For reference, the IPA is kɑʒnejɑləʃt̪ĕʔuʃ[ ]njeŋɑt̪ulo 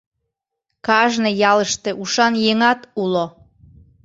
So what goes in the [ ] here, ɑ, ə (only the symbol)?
ɑ